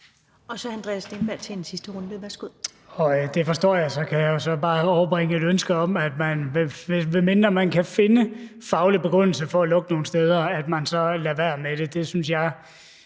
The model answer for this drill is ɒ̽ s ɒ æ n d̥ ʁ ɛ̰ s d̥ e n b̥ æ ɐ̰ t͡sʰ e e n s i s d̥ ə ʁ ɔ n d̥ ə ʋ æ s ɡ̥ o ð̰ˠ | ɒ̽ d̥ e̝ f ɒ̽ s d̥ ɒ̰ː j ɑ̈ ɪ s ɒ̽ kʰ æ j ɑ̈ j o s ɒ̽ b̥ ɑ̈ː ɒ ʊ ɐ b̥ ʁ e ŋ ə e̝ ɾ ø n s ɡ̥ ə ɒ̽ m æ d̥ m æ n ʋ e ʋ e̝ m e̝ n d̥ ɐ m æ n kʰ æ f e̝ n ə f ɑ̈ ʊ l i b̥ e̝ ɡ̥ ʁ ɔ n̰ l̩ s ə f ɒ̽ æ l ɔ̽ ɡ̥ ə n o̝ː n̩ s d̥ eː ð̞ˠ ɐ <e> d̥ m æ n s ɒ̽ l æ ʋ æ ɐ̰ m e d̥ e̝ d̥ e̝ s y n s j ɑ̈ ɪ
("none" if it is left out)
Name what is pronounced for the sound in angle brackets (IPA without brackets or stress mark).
æ